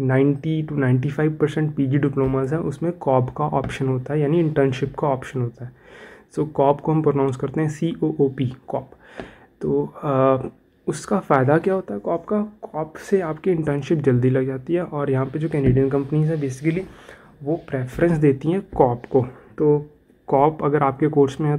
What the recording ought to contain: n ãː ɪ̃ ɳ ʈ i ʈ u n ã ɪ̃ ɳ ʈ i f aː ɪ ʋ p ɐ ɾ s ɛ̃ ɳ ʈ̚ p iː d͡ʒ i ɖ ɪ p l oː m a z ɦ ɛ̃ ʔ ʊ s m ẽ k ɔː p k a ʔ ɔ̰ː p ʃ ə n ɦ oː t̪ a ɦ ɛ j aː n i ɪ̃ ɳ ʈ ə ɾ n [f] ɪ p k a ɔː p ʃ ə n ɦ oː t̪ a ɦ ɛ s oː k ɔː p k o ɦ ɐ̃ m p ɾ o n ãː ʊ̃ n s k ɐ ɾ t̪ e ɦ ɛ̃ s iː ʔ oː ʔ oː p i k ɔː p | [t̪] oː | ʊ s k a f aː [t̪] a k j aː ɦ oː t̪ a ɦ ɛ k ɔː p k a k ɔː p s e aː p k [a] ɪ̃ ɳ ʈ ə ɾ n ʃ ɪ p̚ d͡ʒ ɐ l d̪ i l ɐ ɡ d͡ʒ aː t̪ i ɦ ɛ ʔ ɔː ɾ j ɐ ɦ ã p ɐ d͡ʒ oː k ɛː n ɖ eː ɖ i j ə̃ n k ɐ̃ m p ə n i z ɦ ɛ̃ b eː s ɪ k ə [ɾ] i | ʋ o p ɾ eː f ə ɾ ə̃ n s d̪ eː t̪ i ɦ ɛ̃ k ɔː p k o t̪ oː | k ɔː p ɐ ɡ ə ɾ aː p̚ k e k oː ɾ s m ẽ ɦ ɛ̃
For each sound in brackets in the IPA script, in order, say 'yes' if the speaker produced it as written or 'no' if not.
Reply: no, yes, no, no, no

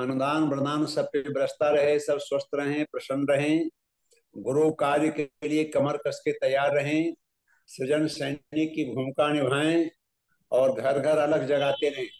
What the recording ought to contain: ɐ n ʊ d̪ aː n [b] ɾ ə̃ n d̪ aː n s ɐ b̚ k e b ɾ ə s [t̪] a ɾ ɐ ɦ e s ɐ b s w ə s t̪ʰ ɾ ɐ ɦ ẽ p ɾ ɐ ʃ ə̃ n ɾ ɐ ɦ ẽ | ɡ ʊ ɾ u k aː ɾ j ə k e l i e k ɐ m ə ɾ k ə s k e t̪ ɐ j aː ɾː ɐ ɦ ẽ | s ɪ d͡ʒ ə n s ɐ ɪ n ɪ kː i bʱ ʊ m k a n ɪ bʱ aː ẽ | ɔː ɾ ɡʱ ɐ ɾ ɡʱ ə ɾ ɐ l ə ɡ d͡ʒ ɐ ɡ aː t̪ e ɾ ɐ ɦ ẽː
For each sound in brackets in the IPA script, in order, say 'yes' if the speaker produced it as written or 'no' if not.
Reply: yes, yes

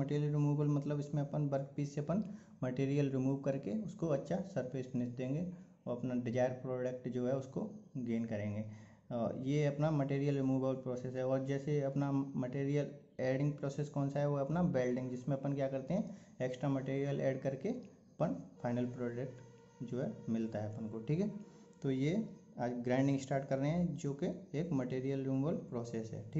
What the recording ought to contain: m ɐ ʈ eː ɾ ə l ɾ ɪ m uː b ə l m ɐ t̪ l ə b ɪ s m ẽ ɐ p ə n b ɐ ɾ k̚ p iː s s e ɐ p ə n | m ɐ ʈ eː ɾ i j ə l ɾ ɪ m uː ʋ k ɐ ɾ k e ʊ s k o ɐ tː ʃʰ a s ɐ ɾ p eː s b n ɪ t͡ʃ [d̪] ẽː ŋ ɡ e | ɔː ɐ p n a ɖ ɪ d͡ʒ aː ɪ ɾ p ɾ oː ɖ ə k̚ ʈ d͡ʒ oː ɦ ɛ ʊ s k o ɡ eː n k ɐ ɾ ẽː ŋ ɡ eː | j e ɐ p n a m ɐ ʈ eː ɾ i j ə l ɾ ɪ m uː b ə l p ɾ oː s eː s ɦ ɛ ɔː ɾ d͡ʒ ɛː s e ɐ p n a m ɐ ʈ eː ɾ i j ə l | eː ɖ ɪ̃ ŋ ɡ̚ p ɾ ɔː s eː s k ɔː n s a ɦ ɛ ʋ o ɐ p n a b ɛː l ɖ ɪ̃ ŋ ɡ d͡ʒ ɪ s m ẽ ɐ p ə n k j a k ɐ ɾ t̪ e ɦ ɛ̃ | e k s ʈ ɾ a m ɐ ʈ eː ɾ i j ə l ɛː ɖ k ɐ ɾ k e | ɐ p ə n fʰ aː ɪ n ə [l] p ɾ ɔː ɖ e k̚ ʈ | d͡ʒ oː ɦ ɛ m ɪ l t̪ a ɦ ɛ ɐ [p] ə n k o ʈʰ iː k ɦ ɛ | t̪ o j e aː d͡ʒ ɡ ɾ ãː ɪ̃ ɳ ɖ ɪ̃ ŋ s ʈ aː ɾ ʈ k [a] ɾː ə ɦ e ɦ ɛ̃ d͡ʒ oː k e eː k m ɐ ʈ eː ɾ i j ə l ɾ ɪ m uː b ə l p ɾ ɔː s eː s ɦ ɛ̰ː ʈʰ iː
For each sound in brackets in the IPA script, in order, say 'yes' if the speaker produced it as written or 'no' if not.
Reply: yes, yes, yes, no

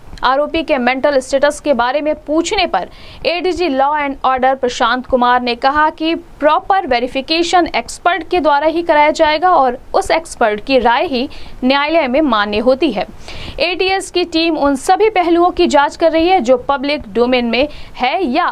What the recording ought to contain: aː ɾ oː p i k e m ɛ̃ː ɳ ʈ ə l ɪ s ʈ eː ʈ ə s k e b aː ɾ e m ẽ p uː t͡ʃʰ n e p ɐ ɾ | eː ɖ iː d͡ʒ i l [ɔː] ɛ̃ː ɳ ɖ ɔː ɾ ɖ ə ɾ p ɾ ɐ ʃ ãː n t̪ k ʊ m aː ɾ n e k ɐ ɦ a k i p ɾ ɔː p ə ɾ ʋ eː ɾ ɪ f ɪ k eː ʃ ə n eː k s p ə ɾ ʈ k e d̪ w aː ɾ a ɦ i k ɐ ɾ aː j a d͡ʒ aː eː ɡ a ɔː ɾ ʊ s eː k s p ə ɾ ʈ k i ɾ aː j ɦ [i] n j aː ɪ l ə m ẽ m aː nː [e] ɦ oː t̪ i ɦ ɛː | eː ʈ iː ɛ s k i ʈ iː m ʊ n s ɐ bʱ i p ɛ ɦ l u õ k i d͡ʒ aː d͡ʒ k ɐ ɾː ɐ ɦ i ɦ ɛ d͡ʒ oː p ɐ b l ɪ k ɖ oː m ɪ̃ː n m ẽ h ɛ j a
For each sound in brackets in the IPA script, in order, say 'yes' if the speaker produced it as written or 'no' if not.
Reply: yes, yes, yes

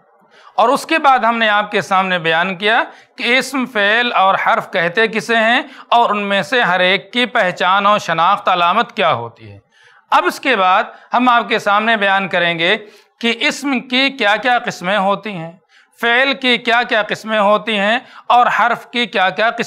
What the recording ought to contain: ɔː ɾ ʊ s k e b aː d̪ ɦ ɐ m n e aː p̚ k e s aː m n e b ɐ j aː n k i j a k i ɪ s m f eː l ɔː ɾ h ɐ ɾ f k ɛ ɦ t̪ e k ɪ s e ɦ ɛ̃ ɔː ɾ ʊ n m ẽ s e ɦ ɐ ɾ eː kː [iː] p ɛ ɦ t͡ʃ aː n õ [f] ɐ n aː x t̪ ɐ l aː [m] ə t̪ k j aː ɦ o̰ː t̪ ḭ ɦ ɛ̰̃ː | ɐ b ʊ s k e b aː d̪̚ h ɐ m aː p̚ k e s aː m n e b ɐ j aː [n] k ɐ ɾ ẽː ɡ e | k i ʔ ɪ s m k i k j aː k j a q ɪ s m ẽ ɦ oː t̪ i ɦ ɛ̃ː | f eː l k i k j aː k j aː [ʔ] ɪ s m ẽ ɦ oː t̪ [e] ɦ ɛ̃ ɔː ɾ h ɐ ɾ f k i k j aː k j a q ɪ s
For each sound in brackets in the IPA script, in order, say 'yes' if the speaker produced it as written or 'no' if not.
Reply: no, no, yes, yes, no, no

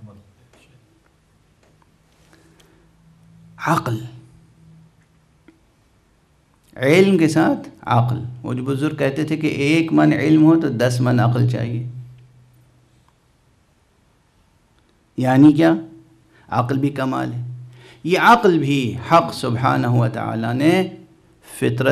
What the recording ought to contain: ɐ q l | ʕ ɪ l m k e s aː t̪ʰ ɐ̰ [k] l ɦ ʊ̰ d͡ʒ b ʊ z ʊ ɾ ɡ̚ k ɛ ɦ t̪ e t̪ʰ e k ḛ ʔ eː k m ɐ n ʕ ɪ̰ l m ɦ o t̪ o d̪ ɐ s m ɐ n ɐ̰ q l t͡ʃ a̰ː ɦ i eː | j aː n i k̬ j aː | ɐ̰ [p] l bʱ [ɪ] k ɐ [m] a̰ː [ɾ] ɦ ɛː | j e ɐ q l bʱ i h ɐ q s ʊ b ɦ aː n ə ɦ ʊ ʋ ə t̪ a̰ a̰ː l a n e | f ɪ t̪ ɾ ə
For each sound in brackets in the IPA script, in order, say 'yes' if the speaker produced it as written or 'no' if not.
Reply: no, no, no, yes, no

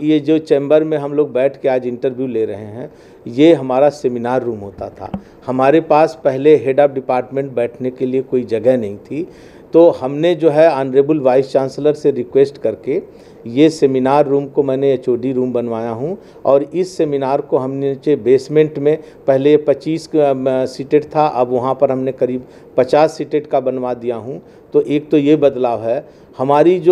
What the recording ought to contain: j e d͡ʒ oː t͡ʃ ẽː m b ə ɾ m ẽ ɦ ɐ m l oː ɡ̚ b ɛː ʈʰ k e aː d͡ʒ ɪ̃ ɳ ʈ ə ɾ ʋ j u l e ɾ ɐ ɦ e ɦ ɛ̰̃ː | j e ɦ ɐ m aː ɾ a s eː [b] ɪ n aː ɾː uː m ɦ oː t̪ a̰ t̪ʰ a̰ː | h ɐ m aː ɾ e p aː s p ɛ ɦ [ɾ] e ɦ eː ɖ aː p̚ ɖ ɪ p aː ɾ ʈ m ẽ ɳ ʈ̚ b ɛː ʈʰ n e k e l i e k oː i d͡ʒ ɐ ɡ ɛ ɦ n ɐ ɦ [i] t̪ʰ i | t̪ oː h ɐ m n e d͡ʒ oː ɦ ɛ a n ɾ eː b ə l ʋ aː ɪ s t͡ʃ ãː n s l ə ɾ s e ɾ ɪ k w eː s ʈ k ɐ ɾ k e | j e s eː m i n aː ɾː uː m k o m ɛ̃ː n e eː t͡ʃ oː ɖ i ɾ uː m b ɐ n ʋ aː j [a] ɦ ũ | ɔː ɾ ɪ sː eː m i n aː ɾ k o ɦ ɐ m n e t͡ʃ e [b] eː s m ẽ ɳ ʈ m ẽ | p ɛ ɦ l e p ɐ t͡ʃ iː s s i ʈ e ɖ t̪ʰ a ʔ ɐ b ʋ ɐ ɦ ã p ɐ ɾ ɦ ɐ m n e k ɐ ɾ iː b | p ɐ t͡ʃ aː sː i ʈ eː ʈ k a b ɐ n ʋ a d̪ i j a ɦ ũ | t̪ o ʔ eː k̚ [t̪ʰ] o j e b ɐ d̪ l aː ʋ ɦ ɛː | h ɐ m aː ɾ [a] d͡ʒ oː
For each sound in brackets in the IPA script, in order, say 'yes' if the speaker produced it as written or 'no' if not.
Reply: no, no, no, yes, yes, no, no

